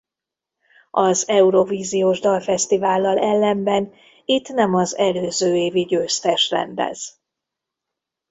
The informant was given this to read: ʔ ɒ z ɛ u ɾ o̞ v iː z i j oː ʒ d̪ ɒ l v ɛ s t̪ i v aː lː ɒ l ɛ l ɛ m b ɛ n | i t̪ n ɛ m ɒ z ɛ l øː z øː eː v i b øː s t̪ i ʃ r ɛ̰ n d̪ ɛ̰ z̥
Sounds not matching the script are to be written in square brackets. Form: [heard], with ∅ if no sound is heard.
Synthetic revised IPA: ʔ ɒ z ɛ u ɾ o̞ v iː z i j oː ʒ d̪ ɒ l [f] ɛ s t̪ i v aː lː ɒ l ɛ [lː] ɛ m b ɛ n | i t̪ n ɛ m ɒ z ɛ l øː z øː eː v i [ɟ] øː s t̪ [ɛ] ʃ r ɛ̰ n d̪ ɛ̰ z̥